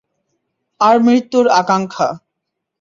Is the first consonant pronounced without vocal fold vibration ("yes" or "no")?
no